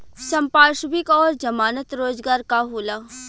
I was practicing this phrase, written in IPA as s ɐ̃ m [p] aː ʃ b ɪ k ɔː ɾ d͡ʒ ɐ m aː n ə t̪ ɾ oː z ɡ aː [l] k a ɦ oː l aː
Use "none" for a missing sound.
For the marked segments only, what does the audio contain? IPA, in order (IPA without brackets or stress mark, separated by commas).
p, ɾ